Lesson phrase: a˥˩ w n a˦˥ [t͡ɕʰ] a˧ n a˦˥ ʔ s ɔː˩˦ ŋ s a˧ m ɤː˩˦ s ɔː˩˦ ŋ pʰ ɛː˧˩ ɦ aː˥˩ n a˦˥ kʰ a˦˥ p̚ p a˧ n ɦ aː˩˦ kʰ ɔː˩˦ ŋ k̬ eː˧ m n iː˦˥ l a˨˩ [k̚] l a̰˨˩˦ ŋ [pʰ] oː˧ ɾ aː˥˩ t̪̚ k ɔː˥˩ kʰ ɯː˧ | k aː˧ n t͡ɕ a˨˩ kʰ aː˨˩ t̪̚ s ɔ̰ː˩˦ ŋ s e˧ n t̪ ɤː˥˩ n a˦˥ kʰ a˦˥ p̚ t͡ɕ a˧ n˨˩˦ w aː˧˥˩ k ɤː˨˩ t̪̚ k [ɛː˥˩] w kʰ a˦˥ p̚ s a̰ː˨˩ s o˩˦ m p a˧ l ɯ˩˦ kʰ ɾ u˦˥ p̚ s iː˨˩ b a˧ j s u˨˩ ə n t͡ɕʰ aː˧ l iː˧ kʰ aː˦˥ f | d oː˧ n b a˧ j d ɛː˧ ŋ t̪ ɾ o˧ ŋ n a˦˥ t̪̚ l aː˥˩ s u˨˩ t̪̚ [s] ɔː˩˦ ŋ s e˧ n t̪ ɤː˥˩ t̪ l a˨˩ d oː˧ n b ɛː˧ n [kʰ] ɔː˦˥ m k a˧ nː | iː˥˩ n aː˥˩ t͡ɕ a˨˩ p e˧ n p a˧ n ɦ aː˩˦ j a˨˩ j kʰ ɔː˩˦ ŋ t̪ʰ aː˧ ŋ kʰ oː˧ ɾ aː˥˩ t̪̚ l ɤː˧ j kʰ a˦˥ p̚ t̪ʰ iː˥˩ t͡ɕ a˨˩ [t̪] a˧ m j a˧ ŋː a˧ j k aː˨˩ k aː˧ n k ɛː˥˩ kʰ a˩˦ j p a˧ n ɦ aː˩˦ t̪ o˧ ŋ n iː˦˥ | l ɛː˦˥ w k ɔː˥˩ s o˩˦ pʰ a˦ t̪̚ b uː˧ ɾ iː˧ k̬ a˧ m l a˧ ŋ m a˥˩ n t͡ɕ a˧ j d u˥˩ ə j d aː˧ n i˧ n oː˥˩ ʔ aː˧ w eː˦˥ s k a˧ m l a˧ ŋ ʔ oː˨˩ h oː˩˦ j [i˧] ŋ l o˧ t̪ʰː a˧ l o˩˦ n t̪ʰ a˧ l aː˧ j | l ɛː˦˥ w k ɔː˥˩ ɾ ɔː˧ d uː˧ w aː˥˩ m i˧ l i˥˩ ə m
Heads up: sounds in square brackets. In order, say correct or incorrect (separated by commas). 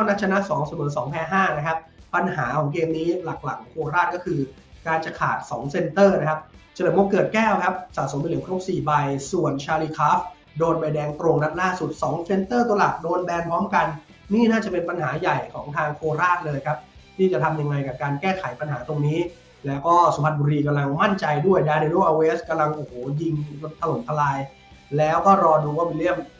correct, correct, incorrect, correct, correct, incorrect, incorrect, correct